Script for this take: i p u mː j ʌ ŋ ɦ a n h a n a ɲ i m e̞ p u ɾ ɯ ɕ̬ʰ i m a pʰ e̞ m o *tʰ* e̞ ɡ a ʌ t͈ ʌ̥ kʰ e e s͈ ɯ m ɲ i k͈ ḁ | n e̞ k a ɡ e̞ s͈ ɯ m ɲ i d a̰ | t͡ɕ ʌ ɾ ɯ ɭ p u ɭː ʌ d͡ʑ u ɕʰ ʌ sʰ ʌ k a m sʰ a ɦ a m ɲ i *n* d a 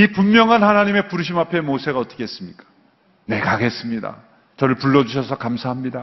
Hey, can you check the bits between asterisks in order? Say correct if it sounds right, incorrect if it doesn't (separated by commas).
incorrect, incorrect